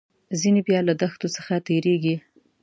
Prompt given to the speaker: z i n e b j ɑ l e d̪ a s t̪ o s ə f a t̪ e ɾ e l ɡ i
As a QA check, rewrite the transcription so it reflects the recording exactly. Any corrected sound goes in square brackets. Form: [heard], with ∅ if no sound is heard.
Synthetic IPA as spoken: z i n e b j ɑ l [a] d̪ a [x] t̪ o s ə [x] a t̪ e ɾ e [∅] ɡ i